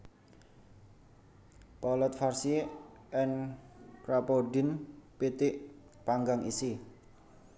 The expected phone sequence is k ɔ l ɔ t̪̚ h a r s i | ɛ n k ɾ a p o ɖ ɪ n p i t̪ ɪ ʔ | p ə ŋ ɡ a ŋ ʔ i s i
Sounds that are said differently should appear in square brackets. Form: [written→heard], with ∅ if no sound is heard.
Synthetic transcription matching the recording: [k→p] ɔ l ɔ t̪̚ [h→f] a r s i | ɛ n k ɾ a p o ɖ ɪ n p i t̪ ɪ ʔ | p [ə→a] ŋ ɡ a ŋ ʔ i s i